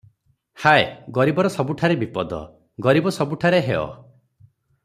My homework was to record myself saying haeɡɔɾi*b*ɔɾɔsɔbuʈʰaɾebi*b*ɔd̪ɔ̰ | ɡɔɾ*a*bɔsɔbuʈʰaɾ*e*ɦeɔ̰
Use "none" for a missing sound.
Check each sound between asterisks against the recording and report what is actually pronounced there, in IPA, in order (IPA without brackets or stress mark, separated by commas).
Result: b, p, i, e